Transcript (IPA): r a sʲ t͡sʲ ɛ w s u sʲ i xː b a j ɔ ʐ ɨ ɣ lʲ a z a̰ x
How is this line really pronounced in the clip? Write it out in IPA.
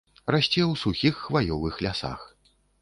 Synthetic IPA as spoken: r a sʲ t͡sʲ ɛ w s u xʲ i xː v a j ɔ v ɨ x lʲ a s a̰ x